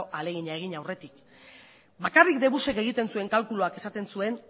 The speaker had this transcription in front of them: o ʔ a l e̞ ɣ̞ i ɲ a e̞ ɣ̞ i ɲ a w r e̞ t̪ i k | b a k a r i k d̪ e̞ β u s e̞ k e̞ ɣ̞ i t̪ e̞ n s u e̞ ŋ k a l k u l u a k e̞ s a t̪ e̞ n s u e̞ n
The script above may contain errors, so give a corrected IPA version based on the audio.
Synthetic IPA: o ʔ a l e̞ ɣ̞ i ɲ a e̞ ɣ̞ i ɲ a w r e̞ t̪ i k | b a k a r i k d̪ e̞ β u s e̞ k e̞ ɣ̞ i t̪ e̞ n s u e̞ ŋ k a l k u l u a k e̞ s a t̪ e̞ n s u e̞ n